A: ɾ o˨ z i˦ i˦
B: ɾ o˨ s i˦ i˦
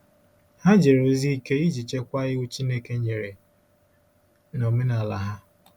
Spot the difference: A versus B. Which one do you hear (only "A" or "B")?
A